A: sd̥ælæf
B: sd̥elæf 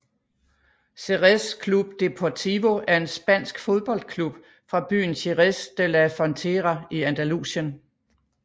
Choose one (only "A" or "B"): B